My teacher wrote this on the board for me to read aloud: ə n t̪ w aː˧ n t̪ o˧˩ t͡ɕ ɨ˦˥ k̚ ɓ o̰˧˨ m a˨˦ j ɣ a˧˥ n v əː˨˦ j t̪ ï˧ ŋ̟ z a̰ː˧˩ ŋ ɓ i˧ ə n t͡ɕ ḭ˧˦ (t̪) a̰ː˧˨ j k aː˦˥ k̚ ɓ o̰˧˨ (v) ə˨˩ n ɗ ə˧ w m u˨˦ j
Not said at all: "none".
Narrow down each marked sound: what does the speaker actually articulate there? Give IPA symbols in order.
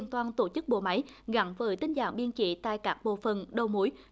t̪, f

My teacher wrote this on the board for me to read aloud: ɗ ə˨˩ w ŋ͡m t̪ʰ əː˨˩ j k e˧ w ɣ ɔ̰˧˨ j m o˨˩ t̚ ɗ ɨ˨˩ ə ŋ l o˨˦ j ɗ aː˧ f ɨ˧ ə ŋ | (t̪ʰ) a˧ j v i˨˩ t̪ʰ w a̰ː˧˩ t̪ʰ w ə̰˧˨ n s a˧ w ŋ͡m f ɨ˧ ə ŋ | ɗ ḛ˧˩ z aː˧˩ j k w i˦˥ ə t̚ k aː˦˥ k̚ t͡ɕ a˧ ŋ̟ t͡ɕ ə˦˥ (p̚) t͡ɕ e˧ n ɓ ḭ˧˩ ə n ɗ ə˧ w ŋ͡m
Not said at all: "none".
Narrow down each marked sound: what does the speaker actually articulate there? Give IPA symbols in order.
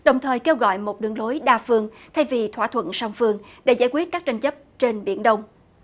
t̪ʰ, p̚

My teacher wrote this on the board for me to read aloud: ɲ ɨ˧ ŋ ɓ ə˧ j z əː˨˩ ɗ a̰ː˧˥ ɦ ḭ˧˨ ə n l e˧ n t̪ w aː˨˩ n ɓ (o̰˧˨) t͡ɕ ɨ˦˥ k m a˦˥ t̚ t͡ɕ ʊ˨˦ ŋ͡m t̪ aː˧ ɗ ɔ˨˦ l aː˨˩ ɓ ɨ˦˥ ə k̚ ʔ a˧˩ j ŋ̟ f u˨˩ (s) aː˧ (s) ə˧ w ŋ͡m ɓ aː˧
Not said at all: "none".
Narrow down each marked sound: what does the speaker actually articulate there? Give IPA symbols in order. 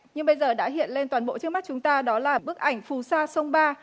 o̰˧˨, s, s

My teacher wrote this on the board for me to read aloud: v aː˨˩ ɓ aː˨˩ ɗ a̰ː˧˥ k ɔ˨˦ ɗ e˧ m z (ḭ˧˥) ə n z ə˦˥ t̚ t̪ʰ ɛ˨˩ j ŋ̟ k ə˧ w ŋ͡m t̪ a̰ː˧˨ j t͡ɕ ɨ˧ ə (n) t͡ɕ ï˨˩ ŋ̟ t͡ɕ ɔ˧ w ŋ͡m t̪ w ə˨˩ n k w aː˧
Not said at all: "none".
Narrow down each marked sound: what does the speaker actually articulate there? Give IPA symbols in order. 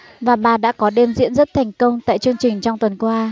ḭ˧˥, ŋ

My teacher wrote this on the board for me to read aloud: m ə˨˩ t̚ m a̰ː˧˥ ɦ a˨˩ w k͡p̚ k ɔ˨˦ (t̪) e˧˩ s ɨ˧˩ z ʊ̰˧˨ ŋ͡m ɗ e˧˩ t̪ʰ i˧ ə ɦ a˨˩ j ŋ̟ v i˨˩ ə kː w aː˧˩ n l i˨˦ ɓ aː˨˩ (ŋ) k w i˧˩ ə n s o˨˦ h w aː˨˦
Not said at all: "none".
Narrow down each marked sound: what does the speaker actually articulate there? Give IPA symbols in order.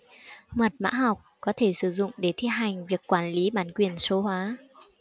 t̪ʰ, n

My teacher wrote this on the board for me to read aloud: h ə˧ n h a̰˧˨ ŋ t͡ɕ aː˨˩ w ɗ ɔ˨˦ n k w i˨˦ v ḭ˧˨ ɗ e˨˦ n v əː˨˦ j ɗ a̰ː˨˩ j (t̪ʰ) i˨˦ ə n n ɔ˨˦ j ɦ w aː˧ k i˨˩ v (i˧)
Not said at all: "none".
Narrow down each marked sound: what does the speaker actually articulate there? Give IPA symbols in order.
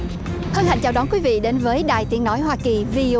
t̪, i˧

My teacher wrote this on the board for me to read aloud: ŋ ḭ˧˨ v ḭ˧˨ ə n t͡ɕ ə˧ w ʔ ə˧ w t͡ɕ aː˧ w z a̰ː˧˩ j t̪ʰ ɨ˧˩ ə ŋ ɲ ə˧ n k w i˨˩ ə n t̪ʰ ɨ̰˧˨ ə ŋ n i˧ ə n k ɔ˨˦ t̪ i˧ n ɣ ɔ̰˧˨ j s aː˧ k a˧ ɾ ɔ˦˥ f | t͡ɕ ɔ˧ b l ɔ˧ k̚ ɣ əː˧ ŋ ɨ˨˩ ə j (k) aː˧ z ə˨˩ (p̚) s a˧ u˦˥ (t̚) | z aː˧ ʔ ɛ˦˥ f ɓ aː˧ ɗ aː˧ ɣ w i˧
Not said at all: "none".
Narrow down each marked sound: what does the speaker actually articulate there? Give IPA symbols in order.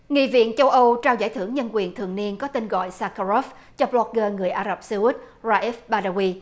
ʔ, p̚, t̚

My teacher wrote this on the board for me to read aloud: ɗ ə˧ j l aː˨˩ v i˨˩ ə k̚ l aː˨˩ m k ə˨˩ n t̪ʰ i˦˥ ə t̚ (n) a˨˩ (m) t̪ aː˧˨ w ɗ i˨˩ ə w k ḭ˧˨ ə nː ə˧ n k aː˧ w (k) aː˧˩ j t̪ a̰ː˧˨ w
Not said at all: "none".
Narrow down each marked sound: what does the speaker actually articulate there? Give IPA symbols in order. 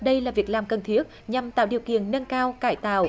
ɲ, m, k

